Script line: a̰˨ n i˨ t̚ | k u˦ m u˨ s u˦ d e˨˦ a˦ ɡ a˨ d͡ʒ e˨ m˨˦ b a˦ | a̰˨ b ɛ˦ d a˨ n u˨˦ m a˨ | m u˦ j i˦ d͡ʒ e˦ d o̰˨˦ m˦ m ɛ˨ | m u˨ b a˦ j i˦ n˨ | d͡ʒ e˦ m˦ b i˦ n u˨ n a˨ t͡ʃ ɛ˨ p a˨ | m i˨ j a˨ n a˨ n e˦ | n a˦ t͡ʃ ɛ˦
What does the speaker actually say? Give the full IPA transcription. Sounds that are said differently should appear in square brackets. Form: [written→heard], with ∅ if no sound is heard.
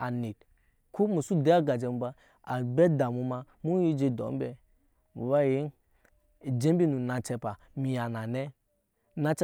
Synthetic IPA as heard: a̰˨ n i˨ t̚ | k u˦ m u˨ s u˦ d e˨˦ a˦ ɡ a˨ d͡ʒ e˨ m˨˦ b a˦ | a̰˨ b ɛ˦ d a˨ [n→m] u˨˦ m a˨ | m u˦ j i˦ d͡ʒ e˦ d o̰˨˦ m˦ [m→b] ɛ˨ | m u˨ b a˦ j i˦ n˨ | d͡ʒ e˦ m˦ b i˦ n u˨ n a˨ t͡ʃ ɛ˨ p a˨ | m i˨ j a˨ n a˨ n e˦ | n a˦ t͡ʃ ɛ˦